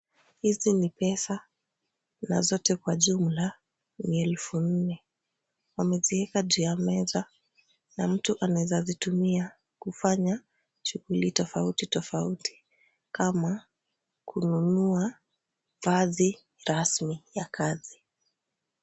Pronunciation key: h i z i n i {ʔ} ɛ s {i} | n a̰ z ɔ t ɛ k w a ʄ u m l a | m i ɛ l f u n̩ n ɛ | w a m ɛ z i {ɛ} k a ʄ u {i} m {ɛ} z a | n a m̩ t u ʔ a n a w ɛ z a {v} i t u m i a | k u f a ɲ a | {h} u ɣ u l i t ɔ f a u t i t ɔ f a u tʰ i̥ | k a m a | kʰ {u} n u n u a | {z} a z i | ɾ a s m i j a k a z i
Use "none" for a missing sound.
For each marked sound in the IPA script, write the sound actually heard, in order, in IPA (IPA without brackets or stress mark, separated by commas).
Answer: p, a, ɛ, a, ɛ, z, ʃ, u, v